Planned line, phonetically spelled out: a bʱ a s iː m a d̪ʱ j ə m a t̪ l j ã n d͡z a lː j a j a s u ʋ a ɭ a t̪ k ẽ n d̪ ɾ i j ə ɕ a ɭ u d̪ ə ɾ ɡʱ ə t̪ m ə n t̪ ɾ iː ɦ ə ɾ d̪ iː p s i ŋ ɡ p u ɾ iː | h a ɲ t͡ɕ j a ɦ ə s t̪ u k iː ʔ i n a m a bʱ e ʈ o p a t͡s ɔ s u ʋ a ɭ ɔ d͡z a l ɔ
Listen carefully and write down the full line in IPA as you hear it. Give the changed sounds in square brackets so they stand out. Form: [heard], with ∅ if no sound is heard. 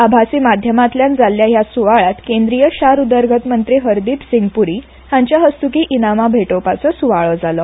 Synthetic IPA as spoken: a bʱ a s iː m a d̪ʱ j ə m a t̪ l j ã n d͡z a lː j a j a s u ʋ a ɭ a t̪ k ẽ n d̪ ɾ i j ə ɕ a [ɾ] u d̪ ə ɾ ɡʱ ə t̪ m ə n t̪ ɾ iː ɦ ə ɾ d̪ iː p s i ŋ ɡ p u ɾ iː | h a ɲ t͡ɕ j a ɦ ə s t̪ u k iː ʔ i n a m a bʱ e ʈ o p a t͡s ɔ s u ʋ a ɭ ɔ d͡z a l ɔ